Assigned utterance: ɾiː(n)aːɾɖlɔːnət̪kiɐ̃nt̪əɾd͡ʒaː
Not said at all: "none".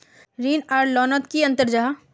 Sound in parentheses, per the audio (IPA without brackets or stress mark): n